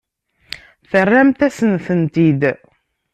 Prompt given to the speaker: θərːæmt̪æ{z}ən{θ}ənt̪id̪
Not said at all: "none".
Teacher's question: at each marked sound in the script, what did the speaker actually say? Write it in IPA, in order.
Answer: s, θ

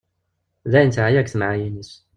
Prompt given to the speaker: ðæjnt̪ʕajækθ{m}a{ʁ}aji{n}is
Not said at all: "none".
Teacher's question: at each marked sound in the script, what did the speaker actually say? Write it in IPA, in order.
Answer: m, ʕ, n

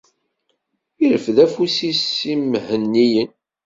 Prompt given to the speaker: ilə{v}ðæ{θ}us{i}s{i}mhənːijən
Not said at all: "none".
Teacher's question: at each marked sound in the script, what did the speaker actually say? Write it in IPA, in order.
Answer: f, f, i, i

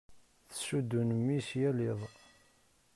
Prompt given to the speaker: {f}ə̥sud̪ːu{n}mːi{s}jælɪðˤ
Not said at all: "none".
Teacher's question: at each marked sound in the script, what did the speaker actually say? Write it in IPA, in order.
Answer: θ, n, s

